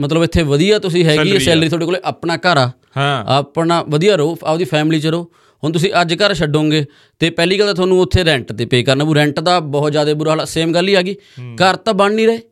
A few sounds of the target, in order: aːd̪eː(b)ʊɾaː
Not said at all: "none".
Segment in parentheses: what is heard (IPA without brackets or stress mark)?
b